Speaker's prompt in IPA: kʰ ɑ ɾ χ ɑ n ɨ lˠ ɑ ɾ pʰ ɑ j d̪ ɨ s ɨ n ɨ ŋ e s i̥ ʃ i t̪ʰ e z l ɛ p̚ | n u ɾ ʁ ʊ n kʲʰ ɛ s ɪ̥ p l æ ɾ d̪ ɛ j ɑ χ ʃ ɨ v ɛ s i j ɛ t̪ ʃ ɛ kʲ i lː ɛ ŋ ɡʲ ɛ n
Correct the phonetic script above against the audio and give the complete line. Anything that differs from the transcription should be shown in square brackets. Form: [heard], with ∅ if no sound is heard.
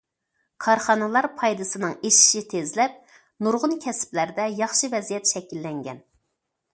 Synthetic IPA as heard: kʰ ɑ ɾ χ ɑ n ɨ lˠ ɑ ɾ pʰ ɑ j d̪ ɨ s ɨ n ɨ ŋ e [ʃ] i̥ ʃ i t̪ʰ e z l ɛ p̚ | n u ɾ ʁ ʊ n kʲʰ ɛ s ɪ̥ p l æ ɾ d̪ ɛ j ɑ χ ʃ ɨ v ɛ [z] i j ɛ t̪ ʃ ɛ kʲ i lː ɛ ŋ ɡʲ ɛ n